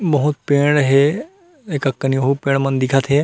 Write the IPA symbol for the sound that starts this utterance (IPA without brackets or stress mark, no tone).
b